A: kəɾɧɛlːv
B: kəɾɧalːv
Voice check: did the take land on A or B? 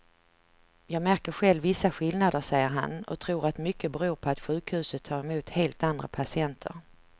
A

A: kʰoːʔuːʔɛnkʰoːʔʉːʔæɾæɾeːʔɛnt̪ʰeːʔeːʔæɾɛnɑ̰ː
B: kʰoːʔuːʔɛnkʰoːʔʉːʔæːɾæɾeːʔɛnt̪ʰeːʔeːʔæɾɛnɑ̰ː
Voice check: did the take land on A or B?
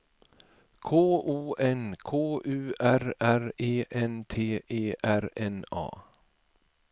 A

